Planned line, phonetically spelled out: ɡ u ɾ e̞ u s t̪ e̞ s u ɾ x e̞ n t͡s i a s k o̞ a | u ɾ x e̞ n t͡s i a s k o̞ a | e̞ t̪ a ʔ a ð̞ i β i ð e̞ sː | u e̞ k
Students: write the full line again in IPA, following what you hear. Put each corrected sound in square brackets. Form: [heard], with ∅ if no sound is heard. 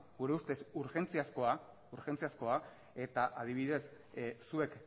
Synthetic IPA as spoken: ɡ u ɾ e̞ u s t̪ e̞ s u ɾ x e̞ n t͡s i a s k o̞ a | u ɾ x e̞ n t͡s i a s k o̞ a | e̞ t̪ a ʔ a ð̞ i β i ð e̞ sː | u e̞ k